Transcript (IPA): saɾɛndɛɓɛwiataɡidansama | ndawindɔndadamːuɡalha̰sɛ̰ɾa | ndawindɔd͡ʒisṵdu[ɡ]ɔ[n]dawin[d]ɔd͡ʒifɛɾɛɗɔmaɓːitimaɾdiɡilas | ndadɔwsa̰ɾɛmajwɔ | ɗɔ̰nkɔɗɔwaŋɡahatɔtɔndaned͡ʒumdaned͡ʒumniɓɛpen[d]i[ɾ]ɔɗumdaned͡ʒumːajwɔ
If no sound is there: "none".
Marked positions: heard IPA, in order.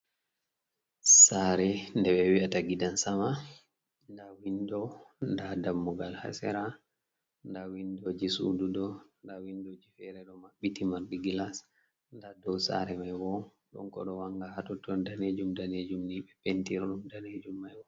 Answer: d, n, d, t, ɾ

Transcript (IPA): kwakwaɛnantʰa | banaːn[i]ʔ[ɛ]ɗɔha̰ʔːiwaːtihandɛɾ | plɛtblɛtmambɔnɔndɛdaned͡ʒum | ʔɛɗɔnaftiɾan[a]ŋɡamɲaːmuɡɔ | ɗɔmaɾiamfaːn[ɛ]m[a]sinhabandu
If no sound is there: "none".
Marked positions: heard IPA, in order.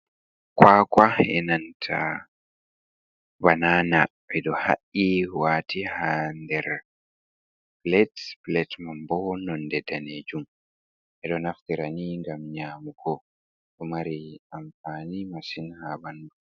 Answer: a, ɛ, i, i, a

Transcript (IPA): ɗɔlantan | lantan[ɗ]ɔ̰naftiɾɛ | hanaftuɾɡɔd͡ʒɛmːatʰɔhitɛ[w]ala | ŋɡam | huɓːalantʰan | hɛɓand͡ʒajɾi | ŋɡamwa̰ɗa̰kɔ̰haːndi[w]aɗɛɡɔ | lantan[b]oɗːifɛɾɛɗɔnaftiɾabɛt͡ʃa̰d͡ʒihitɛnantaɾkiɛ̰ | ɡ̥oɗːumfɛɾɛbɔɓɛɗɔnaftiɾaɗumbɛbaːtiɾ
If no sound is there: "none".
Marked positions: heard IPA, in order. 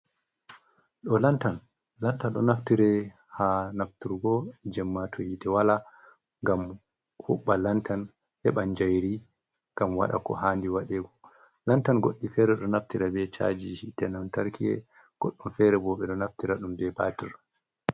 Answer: ɗ, w, w, ɡ

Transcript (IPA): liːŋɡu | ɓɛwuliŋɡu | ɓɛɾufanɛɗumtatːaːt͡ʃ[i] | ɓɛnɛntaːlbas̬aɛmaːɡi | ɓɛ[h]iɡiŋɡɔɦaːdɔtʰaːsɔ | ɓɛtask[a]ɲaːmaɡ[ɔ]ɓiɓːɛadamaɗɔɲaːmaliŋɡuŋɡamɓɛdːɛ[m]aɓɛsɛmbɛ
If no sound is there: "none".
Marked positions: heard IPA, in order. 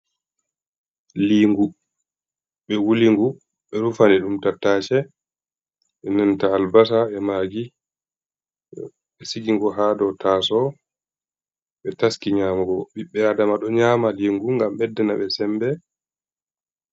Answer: ɛ, s, i, ɔ, n

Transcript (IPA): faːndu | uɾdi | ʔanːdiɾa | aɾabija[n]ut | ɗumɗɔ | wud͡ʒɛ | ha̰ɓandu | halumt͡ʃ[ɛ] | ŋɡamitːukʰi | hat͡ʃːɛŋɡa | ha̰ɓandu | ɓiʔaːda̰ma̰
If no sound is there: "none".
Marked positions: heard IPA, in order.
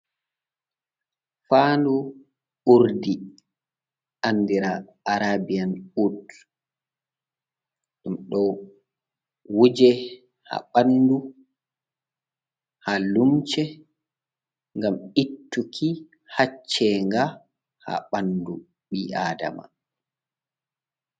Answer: n, ɛ

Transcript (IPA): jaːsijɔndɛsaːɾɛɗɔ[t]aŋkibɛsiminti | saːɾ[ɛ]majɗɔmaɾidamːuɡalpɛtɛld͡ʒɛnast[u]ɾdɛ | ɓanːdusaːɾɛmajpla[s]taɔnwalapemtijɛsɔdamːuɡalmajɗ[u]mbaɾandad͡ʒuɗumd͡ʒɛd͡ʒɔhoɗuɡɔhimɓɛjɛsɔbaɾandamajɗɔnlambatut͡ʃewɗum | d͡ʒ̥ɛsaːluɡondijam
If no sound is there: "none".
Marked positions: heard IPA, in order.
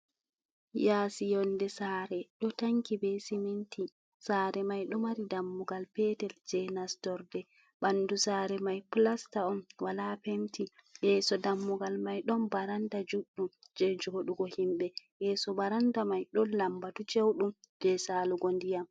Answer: t, ɛ, ɔ, s, ɔ

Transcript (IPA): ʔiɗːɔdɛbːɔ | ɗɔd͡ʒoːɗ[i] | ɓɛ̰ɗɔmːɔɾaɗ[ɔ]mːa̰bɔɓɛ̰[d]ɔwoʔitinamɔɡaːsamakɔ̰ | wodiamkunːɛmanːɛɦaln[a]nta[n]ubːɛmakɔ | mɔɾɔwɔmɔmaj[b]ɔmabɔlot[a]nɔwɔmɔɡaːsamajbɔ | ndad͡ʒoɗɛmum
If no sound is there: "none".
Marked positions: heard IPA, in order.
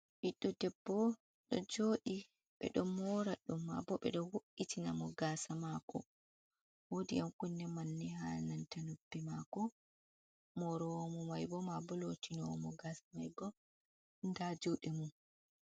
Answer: i, u, ɗ, a, n, b, i

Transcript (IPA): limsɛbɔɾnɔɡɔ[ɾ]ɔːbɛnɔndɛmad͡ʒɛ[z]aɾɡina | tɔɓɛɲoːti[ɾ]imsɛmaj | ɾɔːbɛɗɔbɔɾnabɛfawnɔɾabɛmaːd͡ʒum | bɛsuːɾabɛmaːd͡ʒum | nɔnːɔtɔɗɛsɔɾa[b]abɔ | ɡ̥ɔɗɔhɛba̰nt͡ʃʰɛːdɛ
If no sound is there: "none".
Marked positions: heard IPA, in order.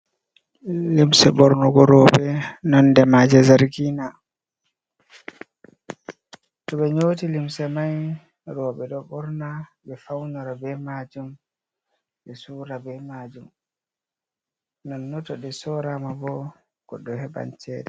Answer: ɾ, z, l, m

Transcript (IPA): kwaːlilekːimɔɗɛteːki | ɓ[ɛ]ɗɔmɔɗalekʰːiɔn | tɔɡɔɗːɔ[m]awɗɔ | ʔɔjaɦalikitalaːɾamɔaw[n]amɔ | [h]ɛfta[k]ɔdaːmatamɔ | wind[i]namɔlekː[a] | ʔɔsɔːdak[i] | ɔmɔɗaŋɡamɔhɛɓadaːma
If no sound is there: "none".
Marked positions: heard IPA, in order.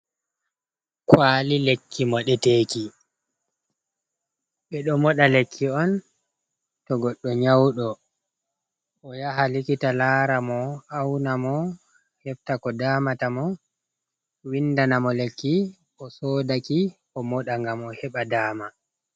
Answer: ɛ, ɲ, n, h, k, a, i, i

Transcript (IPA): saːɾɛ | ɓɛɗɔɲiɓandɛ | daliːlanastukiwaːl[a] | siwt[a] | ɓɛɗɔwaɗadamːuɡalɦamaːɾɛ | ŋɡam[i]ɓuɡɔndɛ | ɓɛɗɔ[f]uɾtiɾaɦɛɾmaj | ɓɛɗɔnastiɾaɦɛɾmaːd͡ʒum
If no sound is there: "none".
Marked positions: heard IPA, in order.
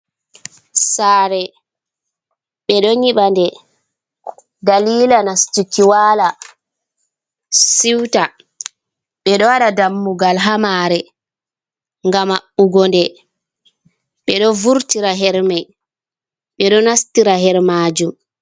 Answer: a, a, a, v

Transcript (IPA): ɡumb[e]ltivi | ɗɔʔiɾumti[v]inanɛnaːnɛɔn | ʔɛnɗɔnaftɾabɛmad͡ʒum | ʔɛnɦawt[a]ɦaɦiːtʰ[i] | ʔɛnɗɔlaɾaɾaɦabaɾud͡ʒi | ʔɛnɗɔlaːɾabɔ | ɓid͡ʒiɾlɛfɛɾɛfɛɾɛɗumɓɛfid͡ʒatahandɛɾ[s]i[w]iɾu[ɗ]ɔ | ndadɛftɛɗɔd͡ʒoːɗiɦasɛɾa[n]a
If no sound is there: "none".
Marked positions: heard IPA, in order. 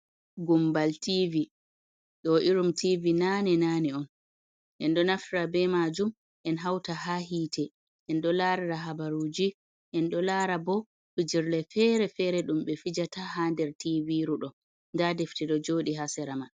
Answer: a, v, a, ɛ, t, v, ɗ, m

